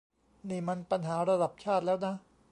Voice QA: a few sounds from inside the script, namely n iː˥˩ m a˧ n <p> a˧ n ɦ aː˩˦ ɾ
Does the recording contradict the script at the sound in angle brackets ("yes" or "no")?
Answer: no